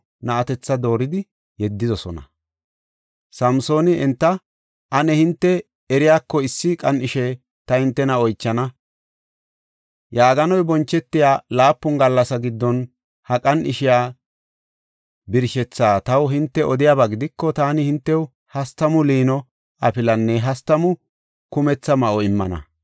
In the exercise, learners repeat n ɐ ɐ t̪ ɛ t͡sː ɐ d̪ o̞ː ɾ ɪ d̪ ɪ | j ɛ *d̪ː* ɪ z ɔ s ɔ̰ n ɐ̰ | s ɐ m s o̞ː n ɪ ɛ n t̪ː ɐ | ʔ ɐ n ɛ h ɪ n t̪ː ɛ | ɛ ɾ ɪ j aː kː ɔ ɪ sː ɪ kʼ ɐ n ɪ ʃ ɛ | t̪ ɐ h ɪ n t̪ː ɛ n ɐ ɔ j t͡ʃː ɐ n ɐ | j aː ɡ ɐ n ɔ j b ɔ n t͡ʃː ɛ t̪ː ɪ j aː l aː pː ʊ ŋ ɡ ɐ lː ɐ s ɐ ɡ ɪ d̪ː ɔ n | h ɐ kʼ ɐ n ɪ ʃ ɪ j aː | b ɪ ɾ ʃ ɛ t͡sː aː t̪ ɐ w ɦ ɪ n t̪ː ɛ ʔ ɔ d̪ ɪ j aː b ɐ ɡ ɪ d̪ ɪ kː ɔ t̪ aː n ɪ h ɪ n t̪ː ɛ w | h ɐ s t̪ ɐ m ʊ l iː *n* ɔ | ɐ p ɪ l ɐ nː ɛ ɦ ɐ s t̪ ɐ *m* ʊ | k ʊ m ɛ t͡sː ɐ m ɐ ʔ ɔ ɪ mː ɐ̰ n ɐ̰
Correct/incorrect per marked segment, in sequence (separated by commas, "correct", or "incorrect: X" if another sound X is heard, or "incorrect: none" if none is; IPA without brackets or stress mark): correct, correct, correct